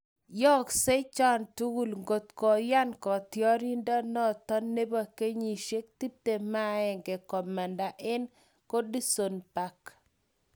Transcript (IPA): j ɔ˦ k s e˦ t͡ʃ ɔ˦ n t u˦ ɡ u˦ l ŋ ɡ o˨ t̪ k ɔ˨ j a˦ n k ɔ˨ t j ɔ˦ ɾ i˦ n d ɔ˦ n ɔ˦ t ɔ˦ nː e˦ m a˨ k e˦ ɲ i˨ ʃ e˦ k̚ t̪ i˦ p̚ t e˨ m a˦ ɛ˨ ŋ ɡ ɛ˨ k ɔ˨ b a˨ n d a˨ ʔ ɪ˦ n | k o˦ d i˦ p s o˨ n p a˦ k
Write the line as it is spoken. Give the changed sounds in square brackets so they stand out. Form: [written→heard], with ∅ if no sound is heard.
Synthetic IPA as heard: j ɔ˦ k s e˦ t͡ʃ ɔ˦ n t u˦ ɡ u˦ l ŋ ɡ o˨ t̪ k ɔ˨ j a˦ n k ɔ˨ t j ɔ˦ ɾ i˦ n d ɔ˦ n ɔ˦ t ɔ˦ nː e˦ [m→b] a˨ k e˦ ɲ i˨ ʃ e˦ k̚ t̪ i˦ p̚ t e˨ m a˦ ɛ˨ ŋ ɡ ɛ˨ k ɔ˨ [b→m] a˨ n d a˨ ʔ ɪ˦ n | k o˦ d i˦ [p→∅] s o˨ n p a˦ k